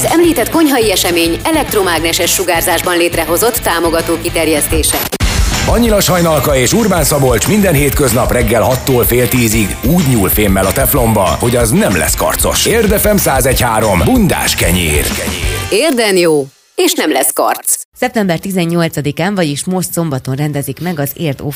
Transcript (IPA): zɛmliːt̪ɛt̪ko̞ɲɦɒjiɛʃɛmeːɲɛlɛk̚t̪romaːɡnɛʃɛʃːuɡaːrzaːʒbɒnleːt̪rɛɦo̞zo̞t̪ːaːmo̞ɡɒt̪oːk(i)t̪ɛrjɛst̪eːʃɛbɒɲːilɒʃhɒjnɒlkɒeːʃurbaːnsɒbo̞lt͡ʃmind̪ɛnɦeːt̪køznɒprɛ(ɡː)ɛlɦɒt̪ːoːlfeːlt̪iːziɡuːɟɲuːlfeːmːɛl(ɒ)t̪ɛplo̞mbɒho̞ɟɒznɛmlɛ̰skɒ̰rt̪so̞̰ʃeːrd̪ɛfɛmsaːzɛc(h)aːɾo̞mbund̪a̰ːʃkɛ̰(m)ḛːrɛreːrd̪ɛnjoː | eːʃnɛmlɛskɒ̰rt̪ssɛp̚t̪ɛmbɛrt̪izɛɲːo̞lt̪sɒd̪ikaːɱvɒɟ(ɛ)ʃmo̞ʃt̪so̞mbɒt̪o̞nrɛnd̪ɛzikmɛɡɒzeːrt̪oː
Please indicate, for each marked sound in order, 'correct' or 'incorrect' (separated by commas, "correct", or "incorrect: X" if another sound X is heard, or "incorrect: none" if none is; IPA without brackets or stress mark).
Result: correct, correct, correct, correct, incorrect: ɲ, incorrect: i